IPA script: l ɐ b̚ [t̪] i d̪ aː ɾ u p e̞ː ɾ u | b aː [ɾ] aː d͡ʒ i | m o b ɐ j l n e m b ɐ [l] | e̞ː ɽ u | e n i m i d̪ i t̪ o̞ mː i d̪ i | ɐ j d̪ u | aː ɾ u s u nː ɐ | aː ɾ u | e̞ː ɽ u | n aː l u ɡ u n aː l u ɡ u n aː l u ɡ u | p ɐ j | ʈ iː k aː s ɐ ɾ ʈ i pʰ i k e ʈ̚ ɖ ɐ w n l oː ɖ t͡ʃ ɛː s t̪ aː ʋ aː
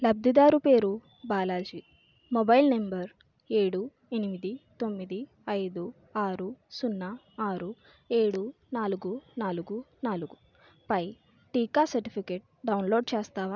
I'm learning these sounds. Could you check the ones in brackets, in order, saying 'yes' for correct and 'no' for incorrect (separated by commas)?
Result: no, no, no